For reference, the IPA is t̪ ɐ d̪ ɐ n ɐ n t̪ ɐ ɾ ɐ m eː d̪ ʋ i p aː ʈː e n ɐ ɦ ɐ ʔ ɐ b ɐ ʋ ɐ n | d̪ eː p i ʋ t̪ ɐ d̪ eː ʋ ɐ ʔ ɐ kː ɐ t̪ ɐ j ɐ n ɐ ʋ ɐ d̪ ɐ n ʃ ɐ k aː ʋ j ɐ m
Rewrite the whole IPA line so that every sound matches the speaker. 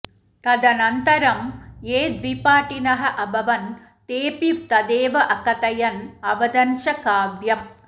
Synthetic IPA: t̪ ɐ d̪ ɐ n ɐ n t̪ ɐ ɾ ɐ m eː d̪ ʋ i p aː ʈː i n ɐ ɦ ɐ ʔ ɐ b ɐ ʋ ɐ n | t̪ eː p i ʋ t̪ ɐ d̪ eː ʋ ɐ ʔ ɐ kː ɐ t̪ ɐ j ɐ n ɐ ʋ ɐ d̪ ɐ n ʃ ɐ k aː ʋ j ɐ m